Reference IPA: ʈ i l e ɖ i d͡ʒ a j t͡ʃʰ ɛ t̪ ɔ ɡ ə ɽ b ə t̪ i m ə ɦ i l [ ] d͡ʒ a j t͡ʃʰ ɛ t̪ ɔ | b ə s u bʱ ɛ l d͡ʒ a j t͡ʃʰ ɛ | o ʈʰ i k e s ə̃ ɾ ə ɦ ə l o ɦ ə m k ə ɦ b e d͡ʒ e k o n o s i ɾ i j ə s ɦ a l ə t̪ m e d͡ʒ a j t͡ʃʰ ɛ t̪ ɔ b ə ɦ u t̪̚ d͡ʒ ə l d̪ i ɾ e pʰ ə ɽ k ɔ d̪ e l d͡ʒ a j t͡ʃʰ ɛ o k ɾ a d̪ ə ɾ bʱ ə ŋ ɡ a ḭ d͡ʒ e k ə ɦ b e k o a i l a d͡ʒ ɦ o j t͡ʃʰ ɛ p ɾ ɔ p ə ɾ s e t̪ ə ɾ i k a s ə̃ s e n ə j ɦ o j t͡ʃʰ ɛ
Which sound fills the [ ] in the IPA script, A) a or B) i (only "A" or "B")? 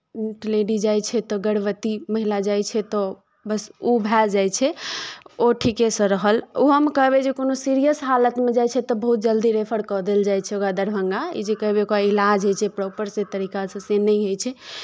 A